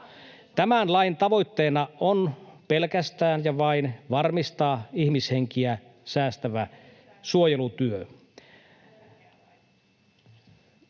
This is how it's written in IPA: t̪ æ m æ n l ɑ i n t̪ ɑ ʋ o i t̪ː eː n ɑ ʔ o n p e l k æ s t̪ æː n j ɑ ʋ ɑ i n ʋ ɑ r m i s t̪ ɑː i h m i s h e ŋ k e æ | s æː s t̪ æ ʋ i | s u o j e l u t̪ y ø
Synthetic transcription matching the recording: t̪ æ m æ n l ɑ i n t̪ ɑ ʋ o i t̪ː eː n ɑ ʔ o n p e l k æ s t̪ æː n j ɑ ʋ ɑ i n ʋ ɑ r m i s t̪ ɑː i h m i s h e ŋ k i æ | s æː s t̪ æ ʋ æ | s u o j e l u t̪ y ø

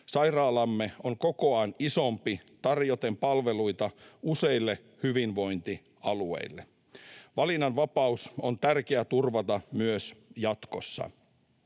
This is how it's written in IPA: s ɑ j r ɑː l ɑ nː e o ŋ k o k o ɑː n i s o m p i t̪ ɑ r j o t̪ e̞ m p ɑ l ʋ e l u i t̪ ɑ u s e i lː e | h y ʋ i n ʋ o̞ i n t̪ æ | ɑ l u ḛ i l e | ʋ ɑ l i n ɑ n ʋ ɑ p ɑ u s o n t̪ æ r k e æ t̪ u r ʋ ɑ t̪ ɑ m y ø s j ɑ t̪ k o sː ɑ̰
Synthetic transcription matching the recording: s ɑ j r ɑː l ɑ mː e o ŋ k o k o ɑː n i s o m p i t̪ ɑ r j o t̪ e̞ m p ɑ l ʋ e l u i t̪ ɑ u s e i lː e | h y ʋ i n ʋ o̞ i n t̪ i | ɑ l u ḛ i lː e | ʋ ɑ l i n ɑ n ʋ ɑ p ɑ u s o n t̪ æ r k e æ t̪ u r ʋ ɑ t̪ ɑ m y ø s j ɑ t̪ k o sː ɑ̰

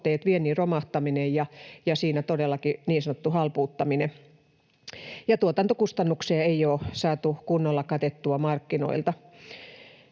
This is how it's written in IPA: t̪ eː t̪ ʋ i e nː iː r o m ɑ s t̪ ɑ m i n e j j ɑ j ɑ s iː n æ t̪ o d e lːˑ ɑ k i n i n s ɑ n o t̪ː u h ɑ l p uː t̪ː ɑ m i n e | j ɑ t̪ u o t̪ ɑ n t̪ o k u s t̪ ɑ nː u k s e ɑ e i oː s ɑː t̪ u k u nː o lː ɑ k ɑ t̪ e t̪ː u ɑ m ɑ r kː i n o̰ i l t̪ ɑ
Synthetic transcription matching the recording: t̪ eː t̪ ʋ i e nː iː r o m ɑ h t̪ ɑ m i n e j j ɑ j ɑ s iː n æ t̪ o d e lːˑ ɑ k i n iː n s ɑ n o t̪ː u h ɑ l p uː t̪ː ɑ m i n e | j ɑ t̪ u o t̪ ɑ n t̪ o k u s t̪ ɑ nː u k s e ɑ e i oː s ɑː t̪ u k u nː o lː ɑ k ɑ t̪ e t̪ː u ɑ m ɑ r kː i n o̰ i l t̪ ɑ

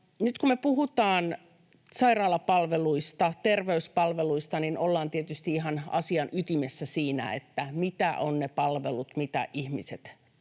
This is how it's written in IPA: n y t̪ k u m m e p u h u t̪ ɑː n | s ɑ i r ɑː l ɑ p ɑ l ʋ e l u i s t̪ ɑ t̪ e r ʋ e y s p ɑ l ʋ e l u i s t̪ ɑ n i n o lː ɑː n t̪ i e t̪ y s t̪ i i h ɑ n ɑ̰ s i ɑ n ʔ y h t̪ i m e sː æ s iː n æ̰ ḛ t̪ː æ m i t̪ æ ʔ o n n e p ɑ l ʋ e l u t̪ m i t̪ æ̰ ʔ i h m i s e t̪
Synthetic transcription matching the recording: n y t̪ k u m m e p u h u t̪ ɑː n | s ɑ i r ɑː l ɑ p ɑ l ʋ e l u i s t̪ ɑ t̪ e r ʋ e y s p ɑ l ʋ e l u i s t̪ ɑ n i n o lː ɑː n t̪ i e t̪ y s t̪ i i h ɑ n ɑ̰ s i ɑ n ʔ y t̪ i m e sː æ s iː n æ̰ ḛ t̪ː æ m i t̪ æ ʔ o n n e p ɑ l ʋ e l u t̪ m i t̪ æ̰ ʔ i h m i s e t̪

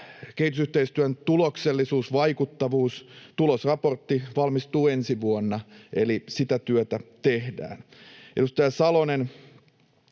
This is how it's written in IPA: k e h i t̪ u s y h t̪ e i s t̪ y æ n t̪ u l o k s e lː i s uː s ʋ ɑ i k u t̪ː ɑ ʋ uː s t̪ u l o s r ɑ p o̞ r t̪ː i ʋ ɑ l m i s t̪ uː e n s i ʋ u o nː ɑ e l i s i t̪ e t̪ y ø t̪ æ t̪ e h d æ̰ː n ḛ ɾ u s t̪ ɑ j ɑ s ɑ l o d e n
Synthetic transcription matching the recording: k e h i t̪ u s y h t̪ e i s t̪ y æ n t̪ u l o k s e lː i s uː s ʋ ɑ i k u t̪ː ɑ ʋ uː s t̪ u l o s r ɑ p o̞ r t̪ː i ʋ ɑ l m i s t̪ uː e n s i ʋ u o nː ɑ e l i s i t̪ æ t̪ y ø t̪ æ t̪ e h d æ̰ː n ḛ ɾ u s t̪ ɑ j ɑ s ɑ l o n e n

